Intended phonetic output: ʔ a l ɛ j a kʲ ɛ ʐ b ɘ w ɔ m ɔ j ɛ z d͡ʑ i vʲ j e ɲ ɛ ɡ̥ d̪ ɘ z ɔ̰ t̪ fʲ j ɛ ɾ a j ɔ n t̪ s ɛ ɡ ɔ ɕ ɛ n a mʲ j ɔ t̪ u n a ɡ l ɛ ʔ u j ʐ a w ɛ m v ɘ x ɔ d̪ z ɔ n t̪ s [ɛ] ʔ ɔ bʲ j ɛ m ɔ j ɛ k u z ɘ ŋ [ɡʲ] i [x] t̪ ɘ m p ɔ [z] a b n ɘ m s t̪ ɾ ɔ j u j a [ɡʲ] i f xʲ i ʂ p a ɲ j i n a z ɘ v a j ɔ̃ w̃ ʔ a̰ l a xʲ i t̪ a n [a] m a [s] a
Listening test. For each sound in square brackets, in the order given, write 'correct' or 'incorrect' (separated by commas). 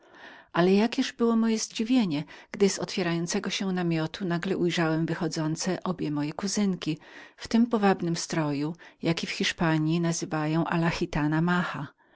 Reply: correct, incorrect, incorrect, incorrect, incorrect, correct, incorrect